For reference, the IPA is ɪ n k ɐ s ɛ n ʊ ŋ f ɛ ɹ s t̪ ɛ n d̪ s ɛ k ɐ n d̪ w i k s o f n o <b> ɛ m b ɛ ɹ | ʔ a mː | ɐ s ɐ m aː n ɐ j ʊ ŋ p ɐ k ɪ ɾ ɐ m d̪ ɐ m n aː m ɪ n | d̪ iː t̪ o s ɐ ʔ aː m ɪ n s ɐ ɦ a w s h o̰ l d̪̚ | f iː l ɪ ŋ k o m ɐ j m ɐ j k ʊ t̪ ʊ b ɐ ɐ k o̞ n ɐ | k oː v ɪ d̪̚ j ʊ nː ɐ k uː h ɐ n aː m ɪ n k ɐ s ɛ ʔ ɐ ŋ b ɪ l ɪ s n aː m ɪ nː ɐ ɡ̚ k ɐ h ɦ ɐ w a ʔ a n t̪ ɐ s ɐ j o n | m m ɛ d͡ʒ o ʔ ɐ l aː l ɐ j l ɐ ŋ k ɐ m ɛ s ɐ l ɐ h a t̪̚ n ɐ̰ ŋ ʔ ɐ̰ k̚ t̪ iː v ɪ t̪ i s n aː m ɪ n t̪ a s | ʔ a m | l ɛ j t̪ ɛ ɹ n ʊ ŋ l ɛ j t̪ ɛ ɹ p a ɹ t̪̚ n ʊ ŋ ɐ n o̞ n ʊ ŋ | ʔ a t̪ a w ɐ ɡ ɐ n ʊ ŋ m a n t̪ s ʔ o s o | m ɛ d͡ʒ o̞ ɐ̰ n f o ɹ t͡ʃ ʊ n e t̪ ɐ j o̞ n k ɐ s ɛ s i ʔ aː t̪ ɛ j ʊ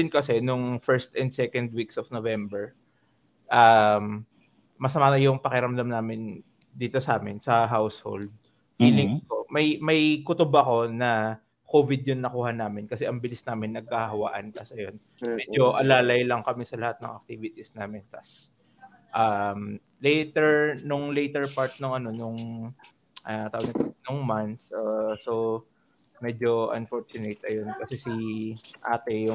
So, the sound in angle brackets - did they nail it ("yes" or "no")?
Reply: no